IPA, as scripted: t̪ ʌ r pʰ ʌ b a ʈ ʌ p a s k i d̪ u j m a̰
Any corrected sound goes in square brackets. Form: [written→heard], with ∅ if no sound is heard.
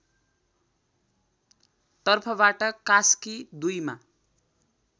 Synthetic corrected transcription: t̪ ʌ r pʰ ʌ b a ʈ ʌ [p→k] a s k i d̪ u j m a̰